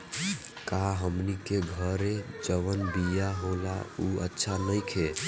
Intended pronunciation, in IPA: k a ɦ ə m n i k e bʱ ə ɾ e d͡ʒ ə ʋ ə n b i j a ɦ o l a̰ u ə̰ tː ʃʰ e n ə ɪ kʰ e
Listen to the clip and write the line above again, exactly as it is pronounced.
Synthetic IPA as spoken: k a ɦ ə m n i k e ɡʱ ə ɾ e d͡ʒ ə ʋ ə n b i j a ɦ o l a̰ u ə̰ tː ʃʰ a n ə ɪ kʰ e